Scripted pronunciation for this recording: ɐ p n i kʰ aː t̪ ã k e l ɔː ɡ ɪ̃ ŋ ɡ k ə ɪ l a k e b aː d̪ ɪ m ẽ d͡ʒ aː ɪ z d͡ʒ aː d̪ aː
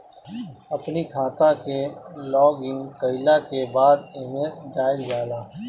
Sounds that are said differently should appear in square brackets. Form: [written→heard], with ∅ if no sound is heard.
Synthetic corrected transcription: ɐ p n i kʰ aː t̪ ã k e l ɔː ɡ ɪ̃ ŋ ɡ k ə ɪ l a k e b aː d̪ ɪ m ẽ d͡ʒ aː ɪ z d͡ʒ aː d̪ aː